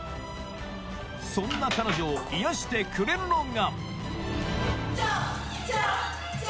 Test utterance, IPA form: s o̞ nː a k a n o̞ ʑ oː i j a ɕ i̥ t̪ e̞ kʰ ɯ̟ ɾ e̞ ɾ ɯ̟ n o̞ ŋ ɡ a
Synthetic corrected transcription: s õ̞ nː a k a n o̞ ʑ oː i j a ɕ i̥ t̪ e̞ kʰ ɯ̟ ɾ e̞ ɾ ɯ̟ n o̞ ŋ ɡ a